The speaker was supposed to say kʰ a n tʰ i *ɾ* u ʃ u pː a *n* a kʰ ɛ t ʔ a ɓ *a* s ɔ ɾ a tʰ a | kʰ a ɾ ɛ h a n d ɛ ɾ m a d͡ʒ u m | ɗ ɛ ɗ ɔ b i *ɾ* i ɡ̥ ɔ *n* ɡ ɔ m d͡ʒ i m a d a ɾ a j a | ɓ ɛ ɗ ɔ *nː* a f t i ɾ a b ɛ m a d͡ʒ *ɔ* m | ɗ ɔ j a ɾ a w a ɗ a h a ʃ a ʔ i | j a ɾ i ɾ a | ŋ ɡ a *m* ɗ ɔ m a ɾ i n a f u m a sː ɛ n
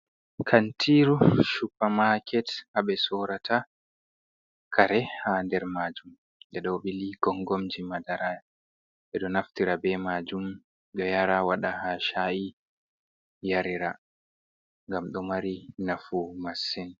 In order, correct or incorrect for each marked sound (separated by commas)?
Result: correct, incorrect, incorrect, incorrect, incorrect, incorrect, incorrect, correct